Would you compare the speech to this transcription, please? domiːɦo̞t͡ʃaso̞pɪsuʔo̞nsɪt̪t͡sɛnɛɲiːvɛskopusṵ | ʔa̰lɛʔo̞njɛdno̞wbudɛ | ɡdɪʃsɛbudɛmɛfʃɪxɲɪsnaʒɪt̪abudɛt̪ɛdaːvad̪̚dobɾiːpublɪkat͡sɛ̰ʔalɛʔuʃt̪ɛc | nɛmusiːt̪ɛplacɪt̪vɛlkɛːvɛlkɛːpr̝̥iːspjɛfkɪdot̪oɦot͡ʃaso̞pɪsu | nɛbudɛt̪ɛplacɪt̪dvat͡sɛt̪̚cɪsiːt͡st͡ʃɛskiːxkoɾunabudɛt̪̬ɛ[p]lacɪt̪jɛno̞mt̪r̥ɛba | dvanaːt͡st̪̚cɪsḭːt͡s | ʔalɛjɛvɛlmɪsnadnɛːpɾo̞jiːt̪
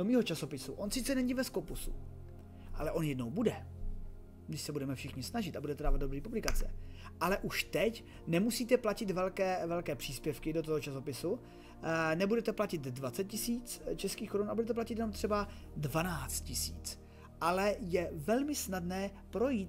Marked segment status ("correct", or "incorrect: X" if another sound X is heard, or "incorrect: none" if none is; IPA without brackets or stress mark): correct